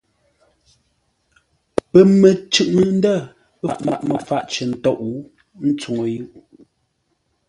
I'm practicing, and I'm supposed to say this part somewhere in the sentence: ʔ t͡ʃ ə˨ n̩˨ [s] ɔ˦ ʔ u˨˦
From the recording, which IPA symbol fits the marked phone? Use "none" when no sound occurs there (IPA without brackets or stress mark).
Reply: t